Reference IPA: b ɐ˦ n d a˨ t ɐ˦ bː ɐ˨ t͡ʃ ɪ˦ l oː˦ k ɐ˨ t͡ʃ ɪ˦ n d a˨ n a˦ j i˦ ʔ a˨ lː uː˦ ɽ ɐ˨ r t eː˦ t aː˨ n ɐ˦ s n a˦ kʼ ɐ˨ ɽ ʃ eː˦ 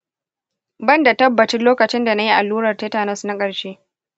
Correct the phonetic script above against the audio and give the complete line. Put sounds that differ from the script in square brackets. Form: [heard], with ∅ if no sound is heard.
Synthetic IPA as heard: b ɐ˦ n d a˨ t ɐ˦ bː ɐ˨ t͡ʃ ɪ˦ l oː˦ k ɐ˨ t͡ʃ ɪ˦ n d a˨ n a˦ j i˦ ʔ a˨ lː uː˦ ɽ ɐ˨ r t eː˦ t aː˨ n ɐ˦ s n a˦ kʼ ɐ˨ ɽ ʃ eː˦